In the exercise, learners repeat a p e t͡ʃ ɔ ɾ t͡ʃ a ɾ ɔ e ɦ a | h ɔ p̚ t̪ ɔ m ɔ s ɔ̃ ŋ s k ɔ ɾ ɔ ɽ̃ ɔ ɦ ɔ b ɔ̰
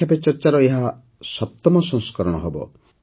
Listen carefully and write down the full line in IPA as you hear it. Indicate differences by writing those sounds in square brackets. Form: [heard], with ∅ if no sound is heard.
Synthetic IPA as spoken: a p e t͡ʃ ɔ ɾ t͡ʃ a ɾ ɔ e ɦ a | [s] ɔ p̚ t̪ ɔ m ɔ s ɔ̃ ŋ s k ɔ ɾ ɔ ɽ̃ ɔ ɦ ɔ b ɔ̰